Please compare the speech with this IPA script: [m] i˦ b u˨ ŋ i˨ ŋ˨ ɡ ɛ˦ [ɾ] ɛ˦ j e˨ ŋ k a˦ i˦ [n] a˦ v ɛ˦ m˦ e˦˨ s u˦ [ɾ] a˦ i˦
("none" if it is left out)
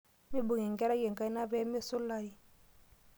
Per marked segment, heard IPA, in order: m, ɾ, n, l

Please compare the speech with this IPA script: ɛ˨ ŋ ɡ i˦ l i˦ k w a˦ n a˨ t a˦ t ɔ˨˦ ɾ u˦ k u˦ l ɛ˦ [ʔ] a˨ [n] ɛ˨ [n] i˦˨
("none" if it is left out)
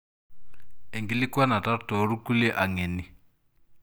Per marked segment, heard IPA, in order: ʔ, ŋ, n

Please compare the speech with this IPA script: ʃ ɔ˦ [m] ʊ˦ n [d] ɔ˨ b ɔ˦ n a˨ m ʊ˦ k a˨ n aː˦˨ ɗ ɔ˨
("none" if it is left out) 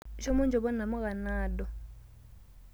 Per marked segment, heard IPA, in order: m, d͡ʒ

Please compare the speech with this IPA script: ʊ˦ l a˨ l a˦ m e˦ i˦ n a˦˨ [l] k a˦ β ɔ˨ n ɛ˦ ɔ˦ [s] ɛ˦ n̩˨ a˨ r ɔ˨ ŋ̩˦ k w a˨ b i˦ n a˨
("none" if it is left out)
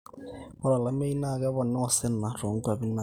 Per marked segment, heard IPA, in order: none, s

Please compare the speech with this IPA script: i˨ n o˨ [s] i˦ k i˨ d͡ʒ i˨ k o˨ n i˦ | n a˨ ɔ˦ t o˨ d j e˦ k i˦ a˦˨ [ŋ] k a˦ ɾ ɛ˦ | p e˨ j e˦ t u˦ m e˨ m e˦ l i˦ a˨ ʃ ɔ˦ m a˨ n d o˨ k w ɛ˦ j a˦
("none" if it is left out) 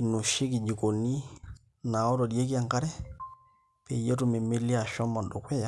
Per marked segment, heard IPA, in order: ʃ, ŋ

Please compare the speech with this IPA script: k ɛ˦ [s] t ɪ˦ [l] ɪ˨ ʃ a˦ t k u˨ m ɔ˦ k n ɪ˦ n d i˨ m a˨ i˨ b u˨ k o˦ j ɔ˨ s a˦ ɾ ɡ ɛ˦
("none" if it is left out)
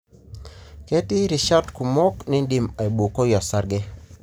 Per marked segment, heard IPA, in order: none, ɾ

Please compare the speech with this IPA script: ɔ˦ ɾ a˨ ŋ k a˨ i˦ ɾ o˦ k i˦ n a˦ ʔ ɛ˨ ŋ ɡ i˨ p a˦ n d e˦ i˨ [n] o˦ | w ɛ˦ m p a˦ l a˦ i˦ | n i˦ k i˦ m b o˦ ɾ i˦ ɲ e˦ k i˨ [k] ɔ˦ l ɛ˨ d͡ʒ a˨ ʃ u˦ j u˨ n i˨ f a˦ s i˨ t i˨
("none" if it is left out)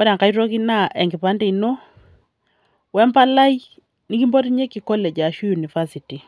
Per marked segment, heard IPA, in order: n, k

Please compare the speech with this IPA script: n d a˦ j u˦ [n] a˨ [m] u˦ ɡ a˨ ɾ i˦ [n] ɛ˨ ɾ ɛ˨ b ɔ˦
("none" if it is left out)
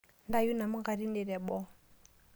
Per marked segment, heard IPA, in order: n, m, n

